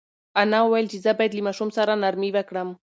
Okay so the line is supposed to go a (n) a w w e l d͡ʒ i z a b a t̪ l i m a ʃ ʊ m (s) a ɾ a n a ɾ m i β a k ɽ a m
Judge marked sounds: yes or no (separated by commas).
yes, yes